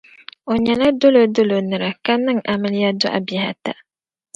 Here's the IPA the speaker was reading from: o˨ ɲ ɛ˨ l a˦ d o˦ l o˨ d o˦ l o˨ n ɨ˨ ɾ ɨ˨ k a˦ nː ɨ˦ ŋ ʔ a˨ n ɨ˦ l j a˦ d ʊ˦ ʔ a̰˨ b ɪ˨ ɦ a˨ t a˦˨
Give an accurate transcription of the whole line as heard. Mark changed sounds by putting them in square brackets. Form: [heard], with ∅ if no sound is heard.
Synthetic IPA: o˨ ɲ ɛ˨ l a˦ d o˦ l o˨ d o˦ l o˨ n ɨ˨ ɾ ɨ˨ k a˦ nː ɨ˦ ŋ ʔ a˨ [m] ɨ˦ l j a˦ d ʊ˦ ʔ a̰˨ b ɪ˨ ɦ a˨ t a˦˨